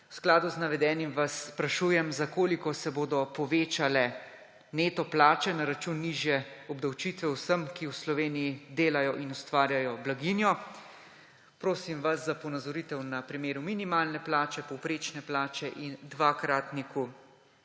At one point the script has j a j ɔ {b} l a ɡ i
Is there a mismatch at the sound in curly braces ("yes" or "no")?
no